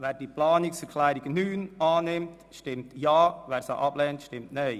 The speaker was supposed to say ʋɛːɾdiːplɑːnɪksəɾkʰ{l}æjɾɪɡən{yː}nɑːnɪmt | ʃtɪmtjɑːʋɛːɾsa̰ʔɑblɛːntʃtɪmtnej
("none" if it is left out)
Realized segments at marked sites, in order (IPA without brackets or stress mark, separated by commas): l, yː